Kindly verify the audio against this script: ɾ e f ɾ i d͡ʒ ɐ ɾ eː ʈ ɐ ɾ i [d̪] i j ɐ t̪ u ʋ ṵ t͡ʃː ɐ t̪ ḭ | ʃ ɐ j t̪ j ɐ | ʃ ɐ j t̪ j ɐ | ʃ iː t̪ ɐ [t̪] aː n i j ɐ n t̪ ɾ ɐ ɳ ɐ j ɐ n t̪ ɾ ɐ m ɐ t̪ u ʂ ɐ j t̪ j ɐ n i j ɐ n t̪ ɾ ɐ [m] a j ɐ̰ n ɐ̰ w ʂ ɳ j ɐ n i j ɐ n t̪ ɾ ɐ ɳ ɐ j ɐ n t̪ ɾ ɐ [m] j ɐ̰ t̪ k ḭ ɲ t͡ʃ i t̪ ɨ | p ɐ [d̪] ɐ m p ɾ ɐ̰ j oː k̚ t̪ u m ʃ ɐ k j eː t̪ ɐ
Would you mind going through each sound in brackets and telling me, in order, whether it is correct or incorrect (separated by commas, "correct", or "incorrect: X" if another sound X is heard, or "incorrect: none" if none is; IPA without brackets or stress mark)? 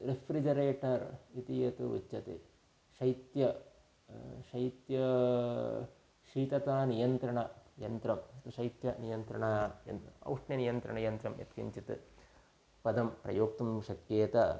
incorrect: t̪, correct, incorrect: ɳ, correct, correct